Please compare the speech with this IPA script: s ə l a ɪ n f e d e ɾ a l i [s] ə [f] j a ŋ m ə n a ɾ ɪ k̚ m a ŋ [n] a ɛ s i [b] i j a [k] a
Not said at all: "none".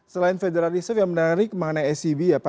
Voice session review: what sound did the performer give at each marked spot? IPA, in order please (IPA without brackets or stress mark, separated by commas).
s, f, n, b, p